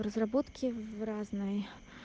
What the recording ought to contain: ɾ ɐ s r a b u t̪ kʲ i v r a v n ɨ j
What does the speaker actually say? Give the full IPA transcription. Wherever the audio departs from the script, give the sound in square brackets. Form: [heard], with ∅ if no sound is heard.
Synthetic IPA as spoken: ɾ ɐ [z] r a b [ɔ] t̪ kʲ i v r a [z] n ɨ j